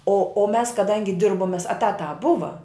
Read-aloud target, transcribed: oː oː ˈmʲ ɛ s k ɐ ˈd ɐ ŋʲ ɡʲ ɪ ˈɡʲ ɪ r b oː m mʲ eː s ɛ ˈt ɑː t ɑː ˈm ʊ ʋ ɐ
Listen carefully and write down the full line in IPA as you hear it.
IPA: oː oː ˈmʲ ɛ s k ɐ ˈd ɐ ŋʲ ɡʲ ɪ ˈdʲ ɪ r b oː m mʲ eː s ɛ ˈt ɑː t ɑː ˈb ʊ ʋ ɐ